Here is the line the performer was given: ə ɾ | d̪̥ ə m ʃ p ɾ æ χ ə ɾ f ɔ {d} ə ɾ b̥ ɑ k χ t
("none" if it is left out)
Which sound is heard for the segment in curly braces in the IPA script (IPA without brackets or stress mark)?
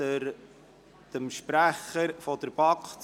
d